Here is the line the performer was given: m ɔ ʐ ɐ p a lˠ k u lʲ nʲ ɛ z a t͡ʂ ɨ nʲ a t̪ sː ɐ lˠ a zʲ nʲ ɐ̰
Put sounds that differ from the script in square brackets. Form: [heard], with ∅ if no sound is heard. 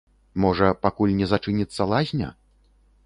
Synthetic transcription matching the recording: m ɔ ʐ ɐ p a [∅] k u lʲ nʲ ɛ z a t͡ʂ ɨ nʲ [i] t̪ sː ɐ lˠ a zʲ nʲ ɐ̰